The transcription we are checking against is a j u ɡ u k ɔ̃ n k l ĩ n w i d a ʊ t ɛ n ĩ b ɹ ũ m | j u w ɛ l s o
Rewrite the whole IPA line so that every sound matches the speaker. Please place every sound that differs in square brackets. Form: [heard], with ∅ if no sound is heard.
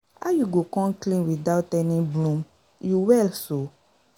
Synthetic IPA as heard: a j u ɡ [o] k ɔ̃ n k l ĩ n w i d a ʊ t ɛ n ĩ b [l] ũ m | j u w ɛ l s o